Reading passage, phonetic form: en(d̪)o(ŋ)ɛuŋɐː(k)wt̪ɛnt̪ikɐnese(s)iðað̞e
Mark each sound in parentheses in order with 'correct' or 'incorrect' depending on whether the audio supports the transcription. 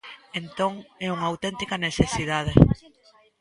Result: incorrect: t̪, correct, incorrect: none, correct

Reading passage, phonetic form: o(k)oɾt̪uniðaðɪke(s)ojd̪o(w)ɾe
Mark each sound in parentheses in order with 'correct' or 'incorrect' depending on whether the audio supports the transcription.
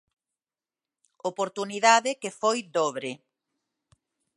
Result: incorrect: p, incorrect: f, incorrect: β

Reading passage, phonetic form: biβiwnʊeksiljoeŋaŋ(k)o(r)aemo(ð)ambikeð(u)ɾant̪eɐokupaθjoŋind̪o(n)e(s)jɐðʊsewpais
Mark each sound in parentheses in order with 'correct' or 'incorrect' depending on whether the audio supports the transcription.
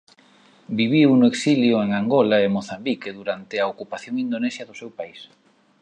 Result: incorrect: ɡ, incorrect: l, incorrect: θ, correct, correct, correct

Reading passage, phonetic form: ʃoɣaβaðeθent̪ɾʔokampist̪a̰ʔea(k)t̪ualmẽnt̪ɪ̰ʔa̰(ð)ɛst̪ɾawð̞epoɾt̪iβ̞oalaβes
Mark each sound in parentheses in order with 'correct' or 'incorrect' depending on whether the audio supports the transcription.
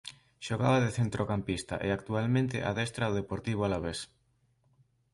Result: correct, correct

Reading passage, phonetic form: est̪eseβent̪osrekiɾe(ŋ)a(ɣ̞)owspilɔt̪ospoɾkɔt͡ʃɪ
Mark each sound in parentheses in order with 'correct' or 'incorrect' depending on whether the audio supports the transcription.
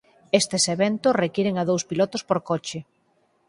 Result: correct, incorrect: ð̞

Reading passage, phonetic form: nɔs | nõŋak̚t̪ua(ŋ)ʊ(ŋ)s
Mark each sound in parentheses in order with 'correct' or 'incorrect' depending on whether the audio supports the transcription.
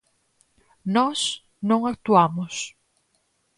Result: incorrect: m, incorrect: none

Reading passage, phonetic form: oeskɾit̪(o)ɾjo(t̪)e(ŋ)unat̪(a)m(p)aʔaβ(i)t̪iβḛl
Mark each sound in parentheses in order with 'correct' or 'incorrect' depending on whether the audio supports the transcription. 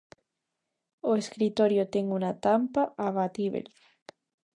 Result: correct, correct, correct, correct, correct, incorrect: a

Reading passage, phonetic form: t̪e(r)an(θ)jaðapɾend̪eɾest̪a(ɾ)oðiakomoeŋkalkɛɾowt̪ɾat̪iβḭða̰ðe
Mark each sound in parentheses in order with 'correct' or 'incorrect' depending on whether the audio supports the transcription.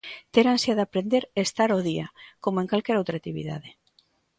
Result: incorrect: ɾ, incorrect: s, correct

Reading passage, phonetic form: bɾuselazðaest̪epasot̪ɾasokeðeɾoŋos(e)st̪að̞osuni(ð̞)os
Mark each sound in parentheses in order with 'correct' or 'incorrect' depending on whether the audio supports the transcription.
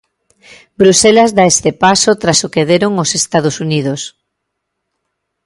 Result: correct, correct

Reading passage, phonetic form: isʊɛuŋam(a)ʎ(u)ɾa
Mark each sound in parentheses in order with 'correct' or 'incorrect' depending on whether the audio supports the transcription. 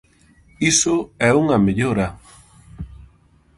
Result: incorrect: e, incorrect: o

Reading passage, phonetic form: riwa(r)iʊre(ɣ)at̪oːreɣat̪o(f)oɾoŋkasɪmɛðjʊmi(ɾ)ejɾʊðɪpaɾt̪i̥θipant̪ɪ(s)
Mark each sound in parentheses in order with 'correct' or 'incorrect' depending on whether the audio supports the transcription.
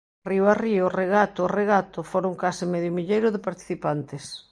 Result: correct, correct, correct, incorrect: ʎ, correct

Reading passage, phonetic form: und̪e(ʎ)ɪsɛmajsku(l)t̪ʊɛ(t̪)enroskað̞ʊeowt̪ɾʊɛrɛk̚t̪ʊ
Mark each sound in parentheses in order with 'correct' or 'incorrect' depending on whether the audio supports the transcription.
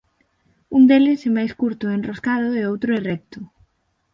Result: incorrect: l, incorrect: ɾ, incorrect: none

